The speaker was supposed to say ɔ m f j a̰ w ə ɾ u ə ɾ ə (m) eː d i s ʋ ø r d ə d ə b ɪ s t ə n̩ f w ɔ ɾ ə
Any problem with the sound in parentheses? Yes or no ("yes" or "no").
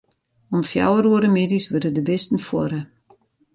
no